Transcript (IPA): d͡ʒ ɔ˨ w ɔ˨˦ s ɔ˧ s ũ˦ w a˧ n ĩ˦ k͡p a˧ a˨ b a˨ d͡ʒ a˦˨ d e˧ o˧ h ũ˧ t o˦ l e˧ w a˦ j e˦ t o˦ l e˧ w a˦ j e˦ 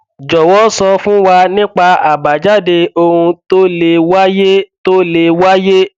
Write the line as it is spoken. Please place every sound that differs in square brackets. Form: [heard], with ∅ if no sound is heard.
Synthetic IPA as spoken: d͡ʒ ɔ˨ w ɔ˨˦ s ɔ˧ [f] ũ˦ w a˧ n ĩ˦ k͡p a˧ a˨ b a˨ d͡ʒ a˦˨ d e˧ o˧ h ũ˧ t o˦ l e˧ w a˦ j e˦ t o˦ l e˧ w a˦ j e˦